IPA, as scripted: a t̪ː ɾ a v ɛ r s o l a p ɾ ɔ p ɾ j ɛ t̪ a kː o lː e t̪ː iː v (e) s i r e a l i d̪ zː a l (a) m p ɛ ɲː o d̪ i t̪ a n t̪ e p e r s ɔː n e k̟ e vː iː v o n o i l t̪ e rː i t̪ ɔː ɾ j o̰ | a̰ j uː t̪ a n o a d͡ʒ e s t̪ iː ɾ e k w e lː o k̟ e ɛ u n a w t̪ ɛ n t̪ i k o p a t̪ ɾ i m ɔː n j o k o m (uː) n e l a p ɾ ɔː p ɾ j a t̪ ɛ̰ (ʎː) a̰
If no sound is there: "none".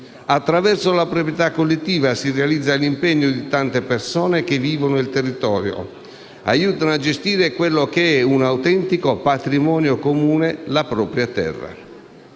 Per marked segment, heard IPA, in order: a, i, uː, rː

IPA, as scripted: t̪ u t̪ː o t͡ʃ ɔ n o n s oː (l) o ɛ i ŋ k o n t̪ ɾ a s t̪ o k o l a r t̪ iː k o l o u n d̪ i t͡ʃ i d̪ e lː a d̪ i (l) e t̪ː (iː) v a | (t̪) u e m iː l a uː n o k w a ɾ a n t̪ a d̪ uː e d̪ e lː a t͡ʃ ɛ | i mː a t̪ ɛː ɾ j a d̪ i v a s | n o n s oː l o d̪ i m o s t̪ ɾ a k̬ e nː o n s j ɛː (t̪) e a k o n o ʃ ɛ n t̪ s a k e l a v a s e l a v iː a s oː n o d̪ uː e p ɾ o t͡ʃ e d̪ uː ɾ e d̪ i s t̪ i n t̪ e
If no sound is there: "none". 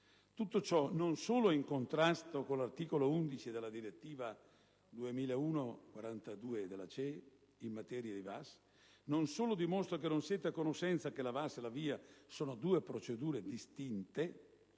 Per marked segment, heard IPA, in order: l, ɾ, iː, d̪, t̪

